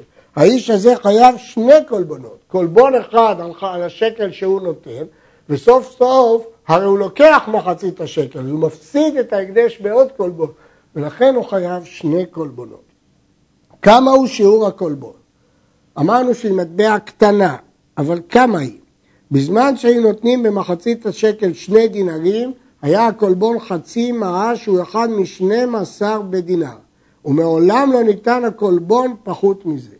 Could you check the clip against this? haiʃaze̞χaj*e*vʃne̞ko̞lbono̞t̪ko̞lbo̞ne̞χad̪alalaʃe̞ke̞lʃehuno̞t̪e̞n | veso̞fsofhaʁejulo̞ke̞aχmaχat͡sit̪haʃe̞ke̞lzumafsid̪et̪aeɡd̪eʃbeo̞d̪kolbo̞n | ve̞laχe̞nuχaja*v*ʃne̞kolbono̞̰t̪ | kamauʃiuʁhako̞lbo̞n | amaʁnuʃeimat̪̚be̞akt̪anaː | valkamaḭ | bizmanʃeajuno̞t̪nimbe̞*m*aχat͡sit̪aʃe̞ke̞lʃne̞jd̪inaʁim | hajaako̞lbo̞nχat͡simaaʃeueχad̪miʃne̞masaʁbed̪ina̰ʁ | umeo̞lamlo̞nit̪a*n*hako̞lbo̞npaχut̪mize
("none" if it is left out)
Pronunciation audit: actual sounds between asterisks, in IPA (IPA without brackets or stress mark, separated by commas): a, v, m, n